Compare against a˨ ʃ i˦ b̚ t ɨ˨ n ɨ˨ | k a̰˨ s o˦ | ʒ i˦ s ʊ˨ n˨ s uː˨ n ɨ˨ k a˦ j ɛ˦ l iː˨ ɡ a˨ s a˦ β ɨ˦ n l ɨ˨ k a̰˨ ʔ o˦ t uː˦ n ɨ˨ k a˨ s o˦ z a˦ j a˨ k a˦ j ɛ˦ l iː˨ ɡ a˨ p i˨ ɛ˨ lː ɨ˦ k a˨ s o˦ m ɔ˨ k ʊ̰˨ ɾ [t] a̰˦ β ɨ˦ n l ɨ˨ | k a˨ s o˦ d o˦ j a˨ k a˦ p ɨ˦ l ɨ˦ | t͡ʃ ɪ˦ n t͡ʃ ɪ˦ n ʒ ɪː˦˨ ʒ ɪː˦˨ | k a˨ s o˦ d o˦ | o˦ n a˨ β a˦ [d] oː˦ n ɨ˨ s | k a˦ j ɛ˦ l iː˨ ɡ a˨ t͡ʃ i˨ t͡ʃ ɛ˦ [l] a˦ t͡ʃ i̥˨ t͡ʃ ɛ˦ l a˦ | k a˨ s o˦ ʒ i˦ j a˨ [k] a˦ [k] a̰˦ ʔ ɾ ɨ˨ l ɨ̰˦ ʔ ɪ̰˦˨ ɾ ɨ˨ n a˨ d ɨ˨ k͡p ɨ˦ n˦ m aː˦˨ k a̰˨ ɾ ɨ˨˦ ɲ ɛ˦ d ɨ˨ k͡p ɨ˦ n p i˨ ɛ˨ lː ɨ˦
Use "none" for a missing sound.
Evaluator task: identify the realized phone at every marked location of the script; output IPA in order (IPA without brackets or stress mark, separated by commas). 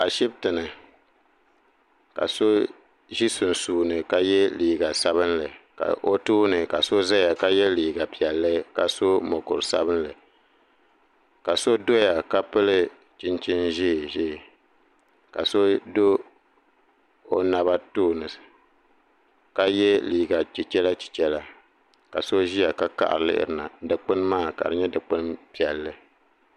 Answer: s, t, l, k, k